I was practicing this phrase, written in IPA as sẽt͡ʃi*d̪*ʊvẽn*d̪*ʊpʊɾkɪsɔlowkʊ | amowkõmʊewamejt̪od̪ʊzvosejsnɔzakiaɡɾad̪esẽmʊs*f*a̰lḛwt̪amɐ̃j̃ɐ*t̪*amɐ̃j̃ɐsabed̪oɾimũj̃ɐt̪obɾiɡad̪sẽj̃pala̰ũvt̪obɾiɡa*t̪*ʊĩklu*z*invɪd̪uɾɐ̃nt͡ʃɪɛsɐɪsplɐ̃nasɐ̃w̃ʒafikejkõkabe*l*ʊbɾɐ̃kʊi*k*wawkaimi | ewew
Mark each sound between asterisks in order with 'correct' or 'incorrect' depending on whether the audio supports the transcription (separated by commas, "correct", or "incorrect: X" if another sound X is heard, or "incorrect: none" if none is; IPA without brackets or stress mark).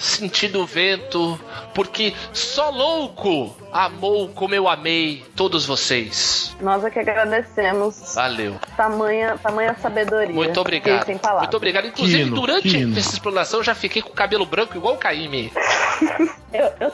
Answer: correct, incorrect: t̪, incorrect: v, correct, incorrect: d̪, correct, correct, incorrect: ɡ